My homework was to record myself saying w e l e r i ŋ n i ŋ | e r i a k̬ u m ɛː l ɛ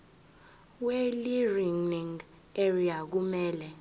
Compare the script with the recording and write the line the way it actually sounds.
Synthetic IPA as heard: w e l i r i ŋ n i ŋ | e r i a k̬ u m ɛː l ɛ